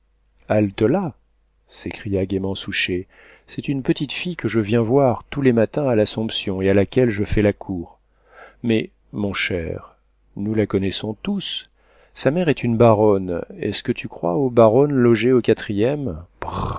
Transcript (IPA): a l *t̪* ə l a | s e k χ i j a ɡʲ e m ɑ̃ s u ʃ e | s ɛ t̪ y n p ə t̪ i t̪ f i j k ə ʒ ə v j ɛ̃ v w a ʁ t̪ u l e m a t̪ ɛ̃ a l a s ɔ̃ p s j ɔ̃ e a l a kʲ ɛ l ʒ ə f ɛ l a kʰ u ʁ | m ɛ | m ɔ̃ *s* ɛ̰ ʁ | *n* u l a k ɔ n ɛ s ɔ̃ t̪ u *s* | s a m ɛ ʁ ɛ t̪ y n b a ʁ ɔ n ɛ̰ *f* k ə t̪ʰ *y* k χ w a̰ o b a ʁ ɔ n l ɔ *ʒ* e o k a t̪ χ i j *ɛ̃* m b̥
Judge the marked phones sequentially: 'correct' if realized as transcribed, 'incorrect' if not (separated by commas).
correct, incorrect, correct, correct, incorrect, correct, correct, incorrect